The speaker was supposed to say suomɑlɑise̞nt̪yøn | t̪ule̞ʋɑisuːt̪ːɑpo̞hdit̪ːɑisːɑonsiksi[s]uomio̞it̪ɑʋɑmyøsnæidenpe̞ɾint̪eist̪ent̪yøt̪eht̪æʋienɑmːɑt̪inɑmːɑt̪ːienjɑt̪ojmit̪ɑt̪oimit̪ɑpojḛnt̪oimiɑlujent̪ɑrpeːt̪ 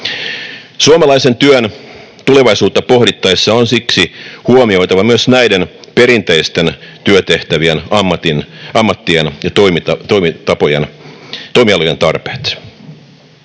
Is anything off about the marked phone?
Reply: yes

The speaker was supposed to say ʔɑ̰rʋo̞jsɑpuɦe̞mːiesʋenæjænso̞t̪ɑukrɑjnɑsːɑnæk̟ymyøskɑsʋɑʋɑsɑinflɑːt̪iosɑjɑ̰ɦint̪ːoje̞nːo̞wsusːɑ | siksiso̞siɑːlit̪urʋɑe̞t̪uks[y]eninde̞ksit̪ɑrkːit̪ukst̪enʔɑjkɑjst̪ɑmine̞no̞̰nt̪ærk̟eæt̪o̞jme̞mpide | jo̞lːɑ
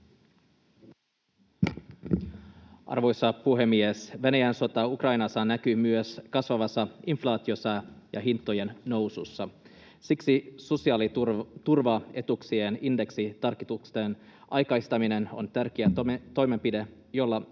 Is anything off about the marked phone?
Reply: yes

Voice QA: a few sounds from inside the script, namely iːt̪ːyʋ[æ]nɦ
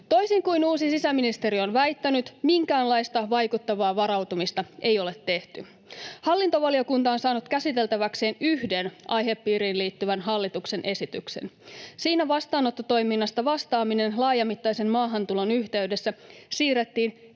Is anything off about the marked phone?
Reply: no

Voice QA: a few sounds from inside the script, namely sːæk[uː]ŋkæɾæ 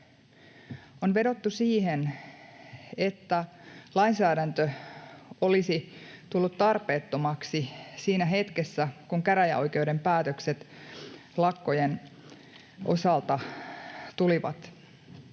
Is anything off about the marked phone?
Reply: yes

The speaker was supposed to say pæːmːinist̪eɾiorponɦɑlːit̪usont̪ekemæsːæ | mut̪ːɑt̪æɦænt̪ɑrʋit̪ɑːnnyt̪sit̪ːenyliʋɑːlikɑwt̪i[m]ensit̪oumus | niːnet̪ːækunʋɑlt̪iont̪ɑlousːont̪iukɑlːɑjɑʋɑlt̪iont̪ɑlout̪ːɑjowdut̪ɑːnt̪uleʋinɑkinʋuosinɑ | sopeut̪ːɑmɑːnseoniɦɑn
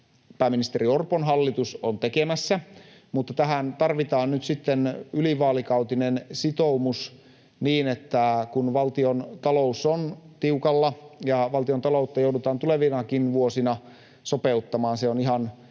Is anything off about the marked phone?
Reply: yes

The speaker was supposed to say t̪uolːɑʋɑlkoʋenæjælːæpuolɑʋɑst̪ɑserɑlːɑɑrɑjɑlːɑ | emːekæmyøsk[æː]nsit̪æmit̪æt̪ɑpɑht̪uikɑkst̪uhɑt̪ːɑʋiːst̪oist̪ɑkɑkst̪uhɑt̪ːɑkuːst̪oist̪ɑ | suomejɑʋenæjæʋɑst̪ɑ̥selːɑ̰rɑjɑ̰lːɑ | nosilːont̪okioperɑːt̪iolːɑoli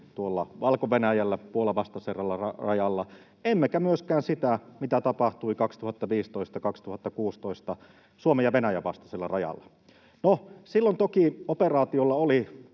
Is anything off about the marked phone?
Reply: no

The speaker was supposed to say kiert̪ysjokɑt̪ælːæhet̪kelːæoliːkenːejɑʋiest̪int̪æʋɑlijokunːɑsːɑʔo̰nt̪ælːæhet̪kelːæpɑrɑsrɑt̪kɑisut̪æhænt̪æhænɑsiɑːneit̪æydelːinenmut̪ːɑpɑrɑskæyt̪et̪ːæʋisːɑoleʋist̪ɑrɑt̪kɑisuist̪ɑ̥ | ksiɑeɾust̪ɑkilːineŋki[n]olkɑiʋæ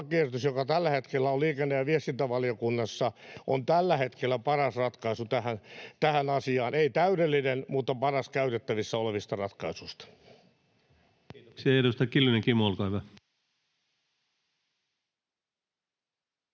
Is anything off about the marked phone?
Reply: yes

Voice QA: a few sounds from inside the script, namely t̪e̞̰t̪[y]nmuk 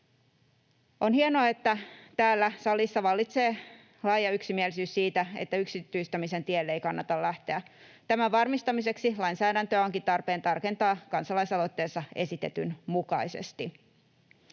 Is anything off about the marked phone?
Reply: no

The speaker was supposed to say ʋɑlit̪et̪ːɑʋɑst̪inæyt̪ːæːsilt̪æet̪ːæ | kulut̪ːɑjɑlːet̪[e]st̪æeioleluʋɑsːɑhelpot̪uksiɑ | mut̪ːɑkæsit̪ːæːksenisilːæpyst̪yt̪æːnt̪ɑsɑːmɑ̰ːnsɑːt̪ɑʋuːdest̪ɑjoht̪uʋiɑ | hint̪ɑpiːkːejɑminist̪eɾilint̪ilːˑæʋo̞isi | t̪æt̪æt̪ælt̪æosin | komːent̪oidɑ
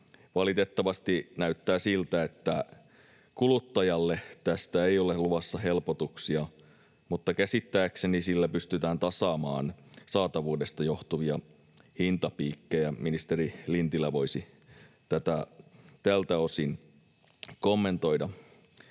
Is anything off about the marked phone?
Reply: yes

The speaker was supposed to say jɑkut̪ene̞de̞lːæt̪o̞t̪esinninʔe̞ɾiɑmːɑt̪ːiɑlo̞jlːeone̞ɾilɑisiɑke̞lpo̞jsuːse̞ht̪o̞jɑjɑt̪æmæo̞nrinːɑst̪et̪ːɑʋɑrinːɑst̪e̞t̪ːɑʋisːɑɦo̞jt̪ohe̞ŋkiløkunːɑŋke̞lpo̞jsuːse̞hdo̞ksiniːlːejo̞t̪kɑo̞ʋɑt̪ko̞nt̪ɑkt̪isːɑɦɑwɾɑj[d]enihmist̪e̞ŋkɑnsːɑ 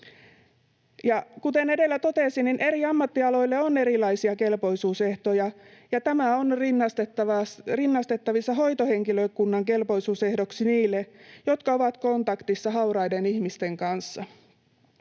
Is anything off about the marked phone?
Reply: no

